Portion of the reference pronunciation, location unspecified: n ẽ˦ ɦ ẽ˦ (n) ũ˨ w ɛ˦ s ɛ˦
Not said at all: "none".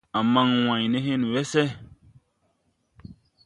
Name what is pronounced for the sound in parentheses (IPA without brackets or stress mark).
n